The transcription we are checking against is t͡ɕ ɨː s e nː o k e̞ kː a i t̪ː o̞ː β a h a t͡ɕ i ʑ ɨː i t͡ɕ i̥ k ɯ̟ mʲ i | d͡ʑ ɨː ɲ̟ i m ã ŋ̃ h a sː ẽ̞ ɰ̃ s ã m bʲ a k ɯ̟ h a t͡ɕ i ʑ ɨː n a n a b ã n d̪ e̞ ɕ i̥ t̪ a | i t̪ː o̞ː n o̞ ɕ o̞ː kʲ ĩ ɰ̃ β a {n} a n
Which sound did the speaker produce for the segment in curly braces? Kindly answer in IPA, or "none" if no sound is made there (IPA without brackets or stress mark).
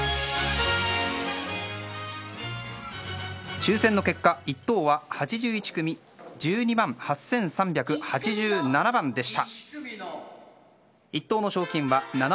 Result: n